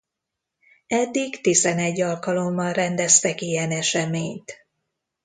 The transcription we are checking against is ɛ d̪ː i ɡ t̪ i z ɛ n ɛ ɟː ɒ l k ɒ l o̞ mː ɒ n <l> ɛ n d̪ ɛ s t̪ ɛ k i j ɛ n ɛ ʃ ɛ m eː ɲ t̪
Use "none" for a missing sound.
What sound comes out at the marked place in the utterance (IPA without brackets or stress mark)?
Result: r